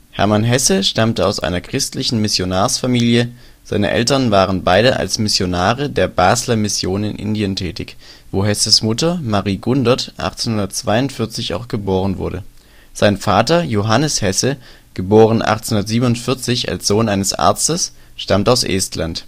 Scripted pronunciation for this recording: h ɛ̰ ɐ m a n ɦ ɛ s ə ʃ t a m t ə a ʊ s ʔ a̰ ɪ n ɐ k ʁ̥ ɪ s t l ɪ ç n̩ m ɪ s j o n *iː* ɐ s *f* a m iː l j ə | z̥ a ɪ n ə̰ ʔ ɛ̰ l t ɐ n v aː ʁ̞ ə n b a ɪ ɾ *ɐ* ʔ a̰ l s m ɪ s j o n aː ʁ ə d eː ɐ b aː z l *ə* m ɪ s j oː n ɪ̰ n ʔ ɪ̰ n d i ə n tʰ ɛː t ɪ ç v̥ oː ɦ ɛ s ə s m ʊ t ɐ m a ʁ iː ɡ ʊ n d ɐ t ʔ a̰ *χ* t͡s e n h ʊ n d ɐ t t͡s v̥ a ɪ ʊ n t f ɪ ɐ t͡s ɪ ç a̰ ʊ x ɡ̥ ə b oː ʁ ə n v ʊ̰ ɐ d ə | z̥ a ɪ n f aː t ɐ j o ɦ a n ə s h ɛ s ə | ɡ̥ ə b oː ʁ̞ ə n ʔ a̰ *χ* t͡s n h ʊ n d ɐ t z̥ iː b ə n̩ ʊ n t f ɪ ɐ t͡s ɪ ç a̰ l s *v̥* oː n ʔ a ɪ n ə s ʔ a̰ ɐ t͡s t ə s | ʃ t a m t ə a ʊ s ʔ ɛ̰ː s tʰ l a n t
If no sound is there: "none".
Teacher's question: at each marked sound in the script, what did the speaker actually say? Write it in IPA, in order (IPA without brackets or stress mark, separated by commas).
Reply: aː, f, ə, ɐ, χ, χ, z̥